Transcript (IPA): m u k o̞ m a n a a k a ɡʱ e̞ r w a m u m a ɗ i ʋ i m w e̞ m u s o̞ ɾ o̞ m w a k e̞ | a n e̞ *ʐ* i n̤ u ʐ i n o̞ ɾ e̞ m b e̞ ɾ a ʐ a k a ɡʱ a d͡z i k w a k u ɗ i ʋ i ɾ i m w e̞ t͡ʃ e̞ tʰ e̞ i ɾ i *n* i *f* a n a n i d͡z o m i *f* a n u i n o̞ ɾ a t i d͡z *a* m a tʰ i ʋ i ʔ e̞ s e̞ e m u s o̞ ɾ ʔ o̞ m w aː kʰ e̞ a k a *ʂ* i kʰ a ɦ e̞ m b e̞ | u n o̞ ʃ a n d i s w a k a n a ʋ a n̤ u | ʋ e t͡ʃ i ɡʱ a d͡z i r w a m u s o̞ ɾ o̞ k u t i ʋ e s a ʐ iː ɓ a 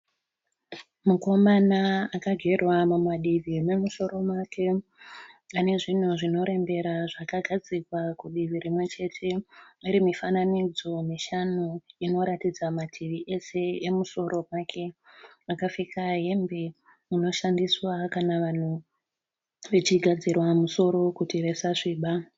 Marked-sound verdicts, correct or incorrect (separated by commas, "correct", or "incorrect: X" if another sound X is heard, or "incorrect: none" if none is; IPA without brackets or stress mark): correct, incorrect: m, correct, incorrect: ʃ, correct, incorrect: f